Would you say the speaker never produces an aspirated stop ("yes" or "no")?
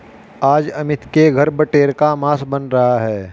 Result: yes